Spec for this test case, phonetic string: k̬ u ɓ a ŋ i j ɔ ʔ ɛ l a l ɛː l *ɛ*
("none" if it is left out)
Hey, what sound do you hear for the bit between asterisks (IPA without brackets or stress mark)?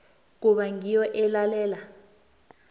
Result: a